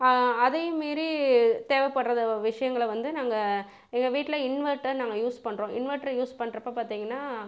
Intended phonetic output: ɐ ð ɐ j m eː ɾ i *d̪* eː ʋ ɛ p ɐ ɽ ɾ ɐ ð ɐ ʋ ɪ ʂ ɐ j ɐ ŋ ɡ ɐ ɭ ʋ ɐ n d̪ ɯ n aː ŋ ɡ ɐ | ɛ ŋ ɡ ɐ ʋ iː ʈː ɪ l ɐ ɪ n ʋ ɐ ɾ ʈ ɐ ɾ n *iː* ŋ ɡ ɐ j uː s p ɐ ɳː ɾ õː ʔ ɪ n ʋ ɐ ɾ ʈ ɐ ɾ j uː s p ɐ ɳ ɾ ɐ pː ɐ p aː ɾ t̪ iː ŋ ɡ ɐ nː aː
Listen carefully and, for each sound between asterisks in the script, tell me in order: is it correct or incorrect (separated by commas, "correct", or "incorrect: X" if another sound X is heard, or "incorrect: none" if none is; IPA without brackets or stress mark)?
incorrect: t̪, incorrect: aː